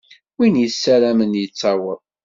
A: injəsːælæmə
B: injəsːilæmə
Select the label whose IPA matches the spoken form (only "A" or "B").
A